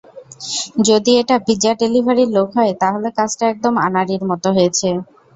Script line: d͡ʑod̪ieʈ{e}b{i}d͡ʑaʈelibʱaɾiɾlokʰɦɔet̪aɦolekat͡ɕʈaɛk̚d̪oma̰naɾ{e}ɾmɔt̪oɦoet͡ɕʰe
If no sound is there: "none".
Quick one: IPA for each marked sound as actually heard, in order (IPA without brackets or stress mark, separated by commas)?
a, i, i